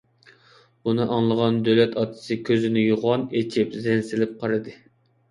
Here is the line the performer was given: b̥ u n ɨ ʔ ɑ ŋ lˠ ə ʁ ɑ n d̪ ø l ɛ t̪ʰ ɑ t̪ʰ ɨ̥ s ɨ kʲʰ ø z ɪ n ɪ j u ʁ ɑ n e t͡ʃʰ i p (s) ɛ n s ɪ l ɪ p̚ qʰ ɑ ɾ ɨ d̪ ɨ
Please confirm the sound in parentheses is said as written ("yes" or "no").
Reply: no